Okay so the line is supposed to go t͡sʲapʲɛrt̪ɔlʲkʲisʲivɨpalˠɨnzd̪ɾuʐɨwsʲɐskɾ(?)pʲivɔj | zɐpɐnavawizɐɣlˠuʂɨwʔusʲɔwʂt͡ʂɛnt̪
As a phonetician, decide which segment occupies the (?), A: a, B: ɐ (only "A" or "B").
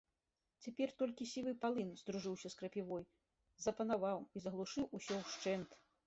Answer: B